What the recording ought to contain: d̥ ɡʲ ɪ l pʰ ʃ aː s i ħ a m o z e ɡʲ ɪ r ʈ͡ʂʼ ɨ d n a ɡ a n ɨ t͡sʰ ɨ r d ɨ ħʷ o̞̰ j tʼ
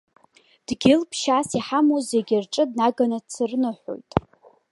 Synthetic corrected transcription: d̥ ɡʲ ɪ l pʰ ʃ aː s i ħ a m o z e ɡʲ ɪ r ʈ͡ʂʼ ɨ d n a ɡ a n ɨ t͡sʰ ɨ r n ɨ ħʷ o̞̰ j tʼ